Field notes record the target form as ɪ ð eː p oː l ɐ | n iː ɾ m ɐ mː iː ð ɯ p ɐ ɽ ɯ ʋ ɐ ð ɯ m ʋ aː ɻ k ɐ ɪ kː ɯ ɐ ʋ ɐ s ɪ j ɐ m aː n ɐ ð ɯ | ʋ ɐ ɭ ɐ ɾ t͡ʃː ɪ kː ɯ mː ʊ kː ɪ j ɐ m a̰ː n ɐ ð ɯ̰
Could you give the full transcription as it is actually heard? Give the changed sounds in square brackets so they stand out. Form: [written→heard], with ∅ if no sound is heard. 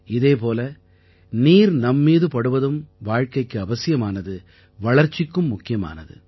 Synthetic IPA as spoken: ɪ ð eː p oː l ɐ | n iː ɾ [m→n] ɐ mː iː ð ɯ p ɐ ɽ ɯ ʋ ɐ ð ɯ m ʋ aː ɻ k ɐ ɪ kː ɯ ɐ ʋ ɐ s ɪ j ɐ m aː n ɐ ð ɯ | ʋ ɐ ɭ ɐ ɾ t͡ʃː ɪ kː ɯ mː ʊ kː ɪ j ɐ m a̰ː n ɐ ð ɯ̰